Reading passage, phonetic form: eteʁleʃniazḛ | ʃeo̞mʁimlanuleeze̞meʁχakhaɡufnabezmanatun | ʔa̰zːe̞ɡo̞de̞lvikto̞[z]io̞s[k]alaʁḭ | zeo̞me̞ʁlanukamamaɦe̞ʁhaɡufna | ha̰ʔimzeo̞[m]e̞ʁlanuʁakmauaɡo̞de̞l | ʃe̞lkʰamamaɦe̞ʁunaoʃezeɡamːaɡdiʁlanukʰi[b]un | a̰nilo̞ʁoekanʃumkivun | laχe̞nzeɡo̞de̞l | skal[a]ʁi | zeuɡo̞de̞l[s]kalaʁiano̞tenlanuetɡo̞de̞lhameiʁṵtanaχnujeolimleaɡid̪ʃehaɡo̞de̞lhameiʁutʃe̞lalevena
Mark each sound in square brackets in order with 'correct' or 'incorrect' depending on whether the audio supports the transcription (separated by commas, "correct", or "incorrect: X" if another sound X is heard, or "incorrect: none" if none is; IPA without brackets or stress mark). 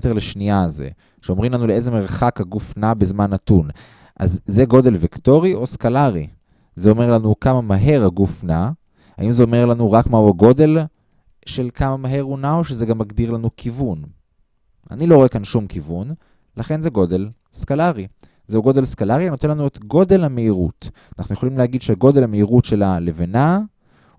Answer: incorrect: ʁ, correct, correct, incorrect: v, correct, correct